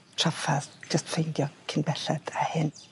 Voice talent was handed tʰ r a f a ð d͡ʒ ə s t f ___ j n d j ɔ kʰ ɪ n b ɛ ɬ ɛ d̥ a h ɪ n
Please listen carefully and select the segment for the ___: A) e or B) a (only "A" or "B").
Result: A